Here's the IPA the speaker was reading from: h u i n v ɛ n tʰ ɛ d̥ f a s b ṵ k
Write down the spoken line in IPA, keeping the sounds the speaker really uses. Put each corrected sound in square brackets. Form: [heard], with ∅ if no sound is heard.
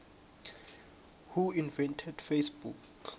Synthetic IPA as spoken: h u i n v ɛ n tʰ ɛ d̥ f [e] s b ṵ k